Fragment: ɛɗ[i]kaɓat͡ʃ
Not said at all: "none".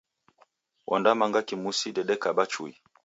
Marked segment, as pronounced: ɛ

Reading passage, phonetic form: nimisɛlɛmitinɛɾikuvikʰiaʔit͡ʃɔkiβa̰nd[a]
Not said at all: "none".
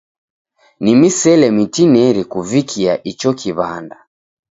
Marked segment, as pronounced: a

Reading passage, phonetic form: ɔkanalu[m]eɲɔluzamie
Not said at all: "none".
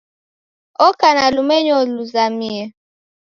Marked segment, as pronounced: m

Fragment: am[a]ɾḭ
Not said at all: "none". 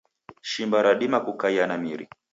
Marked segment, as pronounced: i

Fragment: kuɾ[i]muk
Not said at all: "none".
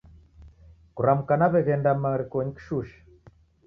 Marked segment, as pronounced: a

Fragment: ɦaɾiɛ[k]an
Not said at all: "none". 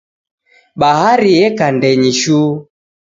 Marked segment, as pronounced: k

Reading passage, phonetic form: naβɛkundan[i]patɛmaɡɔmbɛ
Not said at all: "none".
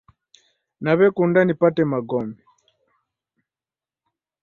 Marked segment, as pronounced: i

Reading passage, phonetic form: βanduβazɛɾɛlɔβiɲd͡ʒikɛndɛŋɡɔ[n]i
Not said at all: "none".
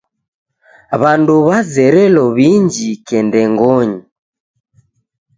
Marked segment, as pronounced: ɲ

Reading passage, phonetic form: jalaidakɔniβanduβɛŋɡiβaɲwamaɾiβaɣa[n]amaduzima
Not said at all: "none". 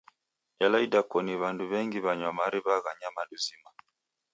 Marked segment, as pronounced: ɲ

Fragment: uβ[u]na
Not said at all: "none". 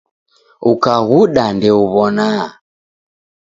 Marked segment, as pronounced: ɔ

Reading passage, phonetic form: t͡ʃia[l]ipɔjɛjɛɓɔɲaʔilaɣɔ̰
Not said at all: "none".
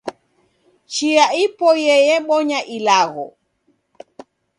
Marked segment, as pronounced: none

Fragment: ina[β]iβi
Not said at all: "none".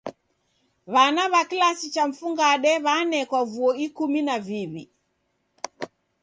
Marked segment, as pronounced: v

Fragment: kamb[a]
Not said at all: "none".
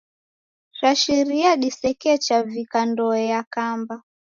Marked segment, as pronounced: a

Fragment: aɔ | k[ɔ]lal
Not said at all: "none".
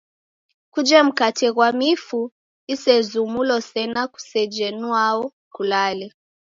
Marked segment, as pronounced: u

